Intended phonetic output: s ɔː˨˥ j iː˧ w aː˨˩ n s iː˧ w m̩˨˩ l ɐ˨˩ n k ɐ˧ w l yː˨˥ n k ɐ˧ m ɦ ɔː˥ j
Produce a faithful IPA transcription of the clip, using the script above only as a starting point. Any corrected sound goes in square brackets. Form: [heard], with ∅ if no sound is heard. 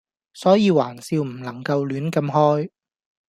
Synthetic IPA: s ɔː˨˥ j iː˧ w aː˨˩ n s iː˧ w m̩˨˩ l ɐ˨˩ [ŋ] k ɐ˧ w l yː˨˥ n k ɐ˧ m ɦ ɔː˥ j